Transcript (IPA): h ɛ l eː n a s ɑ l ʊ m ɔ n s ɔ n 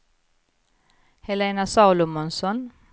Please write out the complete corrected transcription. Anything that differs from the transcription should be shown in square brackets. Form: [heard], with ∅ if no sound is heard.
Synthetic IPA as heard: h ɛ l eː n a s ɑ l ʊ m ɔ n s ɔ n